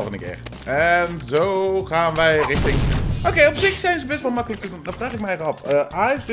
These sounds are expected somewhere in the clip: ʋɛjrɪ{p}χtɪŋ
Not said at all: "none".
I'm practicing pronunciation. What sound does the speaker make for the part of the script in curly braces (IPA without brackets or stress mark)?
none